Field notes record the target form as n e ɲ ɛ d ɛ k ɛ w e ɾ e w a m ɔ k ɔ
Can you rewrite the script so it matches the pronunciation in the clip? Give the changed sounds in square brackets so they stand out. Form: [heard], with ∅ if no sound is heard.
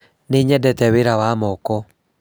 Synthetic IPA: n e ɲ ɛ d ɛ [t] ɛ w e ɾ [a] w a m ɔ k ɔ